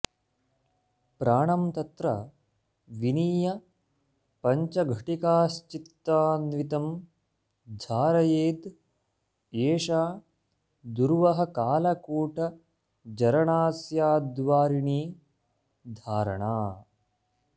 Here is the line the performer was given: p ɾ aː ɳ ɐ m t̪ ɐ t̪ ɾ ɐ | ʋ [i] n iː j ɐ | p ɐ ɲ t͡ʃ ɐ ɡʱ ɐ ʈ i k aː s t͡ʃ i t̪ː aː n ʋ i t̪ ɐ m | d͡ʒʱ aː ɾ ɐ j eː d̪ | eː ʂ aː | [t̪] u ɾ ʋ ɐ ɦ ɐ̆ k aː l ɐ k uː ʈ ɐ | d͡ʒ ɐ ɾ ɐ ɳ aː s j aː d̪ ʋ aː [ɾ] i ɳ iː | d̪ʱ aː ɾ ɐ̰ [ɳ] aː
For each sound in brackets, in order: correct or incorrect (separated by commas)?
correct, incorrect, correct, correct